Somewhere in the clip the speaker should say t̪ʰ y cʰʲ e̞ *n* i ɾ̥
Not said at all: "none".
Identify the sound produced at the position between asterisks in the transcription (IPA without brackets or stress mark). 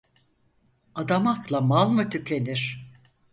n